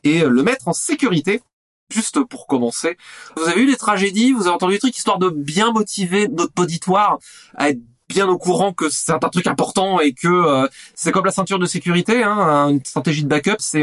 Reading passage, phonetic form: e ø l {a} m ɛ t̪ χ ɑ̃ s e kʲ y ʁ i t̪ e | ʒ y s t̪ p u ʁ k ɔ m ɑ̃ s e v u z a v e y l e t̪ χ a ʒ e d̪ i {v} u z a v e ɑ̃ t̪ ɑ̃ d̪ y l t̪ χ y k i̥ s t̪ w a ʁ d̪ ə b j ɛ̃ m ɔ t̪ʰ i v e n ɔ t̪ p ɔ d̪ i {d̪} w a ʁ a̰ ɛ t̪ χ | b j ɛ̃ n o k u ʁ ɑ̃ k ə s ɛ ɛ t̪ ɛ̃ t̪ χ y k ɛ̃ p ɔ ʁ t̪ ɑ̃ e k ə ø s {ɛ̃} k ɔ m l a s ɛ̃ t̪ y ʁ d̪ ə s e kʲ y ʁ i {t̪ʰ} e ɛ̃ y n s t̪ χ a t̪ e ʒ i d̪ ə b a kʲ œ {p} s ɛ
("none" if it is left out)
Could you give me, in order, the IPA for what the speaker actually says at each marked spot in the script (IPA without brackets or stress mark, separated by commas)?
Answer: ə, v, t̪, ɛ, t̪, p